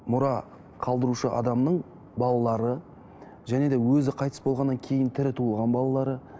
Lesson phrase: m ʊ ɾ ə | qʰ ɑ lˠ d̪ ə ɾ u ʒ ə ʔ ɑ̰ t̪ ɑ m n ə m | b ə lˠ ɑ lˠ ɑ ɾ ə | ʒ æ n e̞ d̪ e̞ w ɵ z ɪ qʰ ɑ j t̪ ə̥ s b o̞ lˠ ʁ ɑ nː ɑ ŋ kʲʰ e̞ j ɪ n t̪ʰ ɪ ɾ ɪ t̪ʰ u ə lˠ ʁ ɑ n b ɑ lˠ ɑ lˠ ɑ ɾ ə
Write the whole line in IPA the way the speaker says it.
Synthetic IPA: m ʊ ɾ ɑ | qʰ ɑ lˠ d̪ ə ɾ u ʃ ə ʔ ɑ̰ d̪ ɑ m n ə ɴ | b ɑ lˠ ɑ lˠ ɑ ɾ ə | ʒ æ n e̞ d̪ e̞ w ɵ z ɪ qʰ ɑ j t̪ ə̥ s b o̞ lˠ ʁ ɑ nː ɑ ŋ kʲʰ e̞ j ɪ n t̪ʰ ɪ ɾ ɪ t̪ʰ u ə lˠ ʁ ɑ n b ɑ lˠ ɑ lˠ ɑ ɾ ə